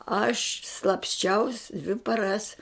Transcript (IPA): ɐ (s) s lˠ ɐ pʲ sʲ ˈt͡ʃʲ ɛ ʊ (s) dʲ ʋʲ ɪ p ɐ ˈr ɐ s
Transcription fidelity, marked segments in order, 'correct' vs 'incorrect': incorrect: ʃ, correct

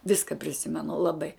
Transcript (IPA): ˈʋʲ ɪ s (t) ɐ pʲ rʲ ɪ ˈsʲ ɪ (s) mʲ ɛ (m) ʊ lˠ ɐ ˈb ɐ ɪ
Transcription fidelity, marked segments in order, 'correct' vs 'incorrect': incorrect: k, incorrect: none, incorrect: n

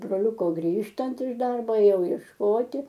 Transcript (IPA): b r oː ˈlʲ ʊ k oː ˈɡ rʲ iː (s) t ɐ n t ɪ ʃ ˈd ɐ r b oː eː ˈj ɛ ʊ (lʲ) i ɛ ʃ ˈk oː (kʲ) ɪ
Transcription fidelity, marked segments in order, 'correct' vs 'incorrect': incorrect: ʃ, incorrect: none, incorrect: tʲ

